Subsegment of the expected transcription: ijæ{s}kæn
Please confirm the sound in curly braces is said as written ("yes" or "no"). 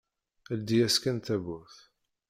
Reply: yes